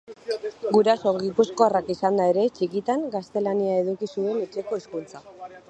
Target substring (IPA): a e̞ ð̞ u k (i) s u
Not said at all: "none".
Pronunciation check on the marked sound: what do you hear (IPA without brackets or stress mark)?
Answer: i